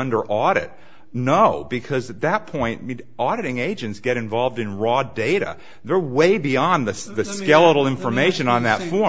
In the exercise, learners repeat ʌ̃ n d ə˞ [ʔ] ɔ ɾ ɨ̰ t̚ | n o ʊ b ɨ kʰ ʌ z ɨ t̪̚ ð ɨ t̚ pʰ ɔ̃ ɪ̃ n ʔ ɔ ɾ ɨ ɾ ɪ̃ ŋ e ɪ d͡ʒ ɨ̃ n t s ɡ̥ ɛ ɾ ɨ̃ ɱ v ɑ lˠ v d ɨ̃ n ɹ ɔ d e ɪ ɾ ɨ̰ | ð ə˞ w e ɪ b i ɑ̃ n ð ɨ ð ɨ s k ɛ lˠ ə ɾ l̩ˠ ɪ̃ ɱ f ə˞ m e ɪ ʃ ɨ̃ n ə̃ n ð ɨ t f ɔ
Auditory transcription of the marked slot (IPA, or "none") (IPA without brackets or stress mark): ʔ